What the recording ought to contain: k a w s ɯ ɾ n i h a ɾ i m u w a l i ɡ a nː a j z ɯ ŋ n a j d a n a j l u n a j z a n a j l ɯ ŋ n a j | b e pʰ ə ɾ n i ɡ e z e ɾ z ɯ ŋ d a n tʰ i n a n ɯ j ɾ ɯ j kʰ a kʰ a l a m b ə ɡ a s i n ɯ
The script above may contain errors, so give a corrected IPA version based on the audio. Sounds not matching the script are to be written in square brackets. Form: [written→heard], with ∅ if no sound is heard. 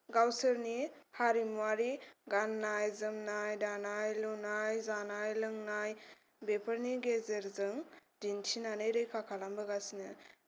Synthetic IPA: [k→ɡ] a w s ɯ ɾ n i h a ɾ i m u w a [l→ɾ] i ɡ a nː a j z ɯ [ŋ→m] n a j d a n a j l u n a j z a n a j l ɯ ŋ n a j | b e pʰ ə ɾ n i ɡ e z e ɾ z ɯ ŋ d [a→i] n tʰ i n a n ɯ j ɾ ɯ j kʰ a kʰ a l a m b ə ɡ a s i n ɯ